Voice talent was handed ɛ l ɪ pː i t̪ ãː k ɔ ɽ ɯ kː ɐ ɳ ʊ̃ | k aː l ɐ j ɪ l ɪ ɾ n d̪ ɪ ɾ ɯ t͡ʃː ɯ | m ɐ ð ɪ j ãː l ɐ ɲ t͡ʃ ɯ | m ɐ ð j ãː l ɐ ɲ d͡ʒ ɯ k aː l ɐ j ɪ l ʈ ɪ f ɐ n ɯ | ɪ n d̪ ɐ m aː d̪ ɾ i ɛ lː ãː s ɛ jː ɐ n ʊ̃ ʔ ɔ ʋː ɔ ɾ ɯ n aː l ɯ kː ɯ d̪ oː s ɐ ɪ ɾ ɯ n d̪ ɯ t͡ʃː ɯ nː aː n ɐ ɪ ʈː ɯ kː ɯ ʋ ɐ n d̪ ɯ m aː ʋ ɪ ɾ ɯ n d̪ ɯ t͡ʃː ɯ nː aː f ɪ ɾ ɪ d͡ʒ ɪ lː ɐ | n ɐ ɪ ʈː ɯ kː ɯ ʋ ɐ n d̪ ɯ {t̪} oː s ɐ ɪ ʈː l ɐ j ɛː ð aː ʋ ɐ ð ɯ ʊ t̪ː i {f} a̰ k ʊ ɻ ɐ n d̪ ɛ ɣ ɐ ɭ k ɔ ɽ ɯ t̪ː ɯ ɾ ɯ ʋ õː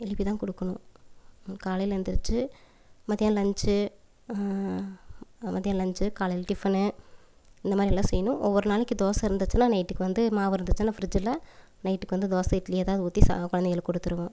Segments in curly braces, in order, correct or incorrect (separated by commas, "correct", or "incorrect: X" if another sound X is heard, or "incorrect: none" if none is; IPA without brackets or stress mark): incorrect: d̪, incorrect: s